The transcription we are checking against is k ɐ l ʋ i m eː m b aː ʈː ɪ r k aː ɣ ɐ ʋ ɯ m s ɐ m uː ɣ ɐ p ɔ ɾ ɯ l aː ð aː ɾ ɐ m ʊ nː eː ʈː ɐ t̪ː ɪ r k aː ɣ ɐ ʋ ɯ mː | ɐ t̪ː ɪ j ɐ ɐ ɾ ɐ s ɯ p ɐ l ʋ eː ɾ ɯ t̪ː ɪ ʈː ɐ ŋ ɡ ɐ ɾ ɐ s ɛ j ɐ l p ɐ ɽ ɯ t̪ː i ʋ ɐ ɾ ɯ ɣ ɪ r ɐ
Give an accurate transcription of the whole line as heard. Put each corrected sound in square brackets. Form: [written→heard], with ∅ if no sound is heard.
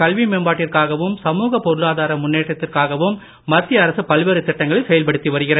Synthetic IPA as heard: k ɐ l ʋ i m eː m b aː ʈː ɪ r k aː ɣ ɐ ʋ ɯ m s ɐ m uː ɣ ɐ p ɔ ɾ ɯ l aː ð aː ɾ ɐ m ʊ nː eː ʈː ɐ t̪ː ɪ r k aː ɣ ɐ ʋ ɯ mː | ɐ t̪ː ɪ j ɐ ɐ ɾ ɐ s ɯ p ɐ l ʋ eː ɾ ɯ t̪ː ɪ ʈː ɐ ŋ ɡ ɐ [ɾ→ɭ] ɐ s ɛ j ɐ l p ɐ ɽ ɯ t̪ː i ʋ ɐ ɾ ɯ ɣ ɪ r ɐ